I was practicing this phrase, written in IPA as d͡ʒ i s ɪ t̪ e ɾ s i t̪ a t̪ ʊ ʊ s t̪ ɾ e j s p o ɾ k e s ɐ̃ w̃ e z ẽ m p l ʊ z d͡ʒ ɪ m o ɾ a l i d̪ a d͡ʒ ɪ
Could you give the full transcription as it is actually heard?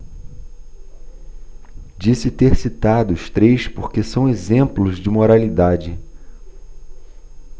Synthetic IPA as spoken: d͡ʒ i s ɪ t̪ e ɾ s i t̪ a d̪ ʊ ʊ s t̪ ɾ e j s p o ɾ k e s ɐ̃ w̃ e z ẽ m p l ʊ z d͡ʒ ɪ m o ɾ a l i d̪ a d͡ʒ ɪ